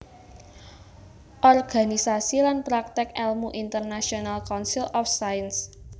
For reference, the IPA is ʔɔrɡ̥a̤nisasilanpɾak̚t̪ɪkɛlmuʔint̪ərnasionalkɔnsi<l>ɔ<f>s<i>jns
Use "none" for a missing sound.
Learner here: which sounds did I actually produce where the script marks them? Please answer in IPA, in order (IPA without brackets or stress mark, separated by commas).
l, f, a